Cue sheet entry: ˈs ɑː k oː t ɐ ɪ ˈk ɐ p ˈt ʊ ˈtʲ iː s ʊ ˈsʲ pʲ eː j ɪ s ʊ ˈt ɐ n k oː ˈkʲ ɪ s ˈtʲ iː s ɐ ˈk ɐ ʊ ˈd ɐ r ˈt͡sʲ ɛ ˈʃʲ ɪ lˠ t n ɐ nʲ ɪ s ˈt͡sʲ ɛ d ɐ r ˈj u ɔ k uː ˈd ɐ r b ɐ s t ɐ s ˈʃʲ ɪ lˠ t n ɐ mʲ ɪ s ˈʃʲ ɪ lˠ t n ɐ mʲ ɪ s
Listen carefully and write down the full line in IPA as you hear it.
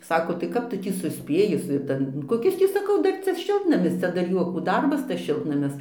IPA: ˈs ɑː k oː t ɐ ɪ ˈk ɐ p ˈt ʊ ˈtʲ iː s ʊ ˈsʲ pʲ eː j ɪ s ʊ ˈt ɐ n k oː ˈkʲ ɪ s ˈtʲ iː s ɐ ˈk ɐ ʊ ˈd ɐ r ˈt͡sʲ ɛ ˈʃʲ ɪ lˠ t n ɐ mʲ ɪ s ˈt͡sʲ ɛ d ɐ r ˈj u ɔ k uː ˈd ɐ r b ɐ s t ɐ s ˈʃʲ ɪ lˠ t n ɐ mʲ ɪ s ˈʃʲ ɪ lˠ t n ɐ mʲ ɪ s